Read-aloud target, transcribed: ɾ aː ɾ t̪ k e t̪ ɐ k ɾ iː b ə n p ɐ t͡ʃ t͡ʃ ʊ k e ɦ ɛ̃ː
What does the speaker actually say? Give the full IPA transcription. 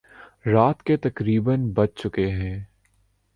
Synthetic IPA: ɾ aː t̪ k e t̪ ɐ k ɾ iː b ə n b ɐ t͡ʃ t͡ʃ ʊ k e ɦ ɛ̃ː